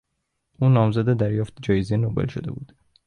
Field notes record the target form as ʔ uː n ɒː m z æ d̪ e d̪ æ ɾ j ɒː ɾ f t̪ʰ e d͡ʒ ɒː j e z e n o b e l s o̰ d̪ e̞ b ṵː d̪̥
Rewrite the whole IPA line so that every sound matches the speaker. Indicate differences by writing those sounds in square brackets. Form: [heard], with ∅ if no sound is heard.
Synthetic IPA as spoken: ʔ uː n ɒː m z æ d̪ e d̪ æ ɾ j ɒː [∅] f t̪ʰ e d͡ʒ ɒː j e z e n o b e l [ʃ] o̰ d̪ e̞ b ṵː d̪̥